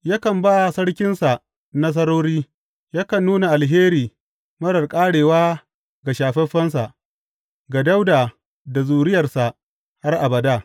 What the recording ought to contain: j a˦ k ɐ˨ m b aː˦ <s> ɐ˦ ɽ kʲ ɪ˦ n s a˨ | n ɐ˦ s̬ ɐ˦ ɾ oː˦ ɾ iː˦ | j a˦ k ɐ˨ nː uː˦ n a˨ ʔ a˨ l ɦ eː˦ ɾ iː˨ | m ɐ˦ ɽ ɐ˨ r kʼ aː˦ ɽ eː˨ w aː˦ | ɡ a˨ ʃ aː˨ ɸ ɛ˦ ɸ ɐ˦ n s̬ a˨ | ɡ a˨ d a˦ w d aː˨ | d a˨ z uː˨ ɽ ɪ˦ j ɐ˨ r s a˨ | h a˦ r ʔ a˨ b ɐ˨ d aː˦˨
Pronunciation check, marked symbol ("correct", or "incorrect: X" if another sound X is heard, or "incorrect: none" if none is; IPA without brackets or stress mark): correct